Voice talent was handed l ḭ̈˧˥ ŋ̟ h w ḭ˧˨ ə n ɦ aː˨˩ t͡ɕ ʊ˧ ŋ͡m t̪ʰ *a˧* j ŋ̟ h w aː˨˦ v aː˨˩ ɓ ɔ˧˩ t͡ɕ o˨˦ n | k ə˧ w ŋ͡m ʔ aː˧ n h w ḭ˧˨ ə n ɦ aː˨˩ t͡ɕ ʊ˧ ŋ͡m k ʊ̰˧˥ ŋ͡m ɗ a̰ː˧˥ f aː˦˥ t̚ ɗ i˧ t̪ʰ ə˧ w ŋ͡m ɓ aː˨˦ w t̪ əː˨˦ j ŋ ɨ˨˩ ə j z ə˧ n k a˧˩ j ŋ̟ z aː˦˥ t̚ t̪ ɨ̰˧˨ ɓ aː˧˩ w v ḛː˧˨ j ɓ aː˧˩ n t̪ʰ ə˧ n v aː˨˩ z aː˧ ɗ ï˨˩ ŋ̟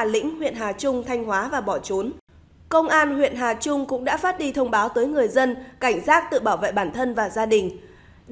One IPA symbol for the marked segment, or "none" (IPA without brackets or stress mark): a˧